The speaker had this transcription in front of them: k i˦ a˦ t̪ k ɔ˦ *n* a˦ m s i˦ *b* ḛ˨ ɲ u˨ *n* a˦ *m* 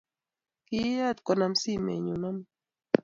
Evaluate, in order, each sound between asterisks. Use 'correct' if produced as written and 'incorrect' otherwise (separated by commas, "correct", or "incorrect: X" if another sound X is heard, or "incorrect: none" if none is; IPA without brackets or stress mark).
correct, incorrect: m, correct, correct